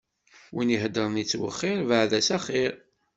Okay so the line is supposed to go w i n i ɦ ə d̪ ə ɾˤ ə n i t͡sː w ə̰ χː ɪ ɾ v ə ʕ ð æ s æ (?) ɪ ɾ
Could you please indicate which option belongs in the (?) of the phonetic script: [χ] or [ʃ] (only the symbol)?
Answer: χ